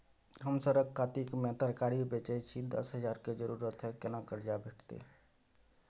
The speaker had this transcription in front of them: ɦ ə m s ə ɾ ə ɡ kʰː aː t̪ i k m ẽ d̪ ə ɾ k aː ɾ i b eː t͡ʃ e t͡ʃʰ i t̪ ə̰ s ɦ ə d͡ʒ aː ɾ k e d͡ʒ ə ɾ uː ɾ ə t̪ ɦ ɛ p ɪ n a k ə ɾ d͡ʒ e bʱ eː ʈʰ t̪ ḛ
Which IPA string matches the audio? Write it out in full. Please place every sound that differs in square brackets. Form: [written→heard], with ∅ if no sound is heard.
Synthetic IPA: ɦ ə m s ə ɾ ə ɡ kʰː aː t̪ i k m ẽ [d̪→t̪] ə ɾ k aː ɾ i b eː t͡ʃ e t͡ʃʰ i [t̪→d̪] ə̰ s ɦ ə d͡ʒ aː ɾ k e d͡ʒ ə ɾ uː ɾ ə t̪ ɦ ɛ [p→k] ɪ n a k ə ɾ d͡ʒ [e→a] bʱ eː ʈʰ t̪ ḛ